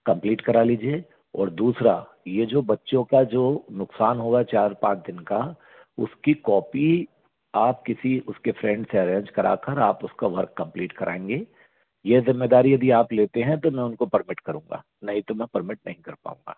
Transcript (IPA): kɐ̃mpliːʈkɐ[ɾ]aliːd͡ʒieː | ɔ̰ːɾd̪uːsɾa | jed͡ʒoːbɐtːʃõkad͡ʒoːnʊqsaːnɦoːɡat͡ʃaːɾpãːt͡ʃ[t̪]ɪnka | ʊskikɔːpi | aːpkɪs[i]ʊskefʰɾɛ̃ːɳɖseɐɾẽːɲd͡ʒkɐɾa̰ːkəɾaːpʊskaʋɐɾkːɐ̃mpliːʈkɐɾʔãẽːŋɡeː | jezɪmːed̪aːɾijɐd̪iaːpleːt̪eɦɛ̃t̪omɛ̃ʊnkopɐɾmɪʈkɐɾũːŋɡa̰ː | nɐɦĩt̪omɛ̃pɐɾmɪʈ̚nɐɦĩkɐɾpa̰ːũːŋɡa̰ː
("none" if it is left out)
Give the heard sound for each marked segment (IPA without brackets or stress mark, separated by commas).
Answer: ɾ, d̪, i